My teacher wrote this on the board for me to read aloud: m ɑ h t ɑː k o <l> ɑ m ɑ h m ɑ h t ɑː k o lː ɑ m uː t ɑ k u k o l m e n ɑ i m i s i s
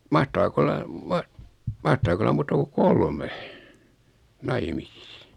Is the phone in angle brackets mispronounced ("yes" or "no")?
yes